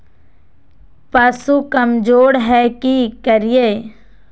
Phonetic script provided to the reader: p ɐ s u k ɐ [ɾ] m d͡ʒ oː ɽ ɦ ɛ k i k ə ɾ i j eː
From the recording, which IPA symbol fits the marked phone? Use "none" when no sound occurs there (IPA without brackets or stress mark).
none